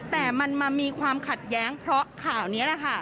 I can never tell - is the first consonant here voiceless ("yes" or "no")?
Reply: yes